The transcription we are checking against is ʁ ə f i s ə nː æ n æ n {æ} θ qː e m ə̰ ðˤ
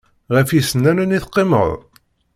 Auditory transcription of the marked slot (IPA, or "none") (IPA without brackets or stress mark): i